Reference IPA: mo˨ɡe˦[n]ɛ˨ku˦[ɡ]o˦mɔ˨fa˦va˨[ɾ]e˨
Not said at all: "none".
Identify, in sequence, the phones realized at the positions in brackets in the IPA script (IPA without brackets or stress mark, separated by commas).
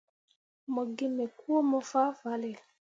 m, none, l